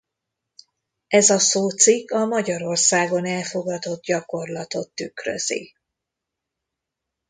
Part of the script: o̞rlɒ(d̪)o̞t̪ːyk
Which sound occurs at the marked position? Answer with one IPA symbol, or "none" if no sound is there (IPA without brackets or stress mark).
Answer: t̪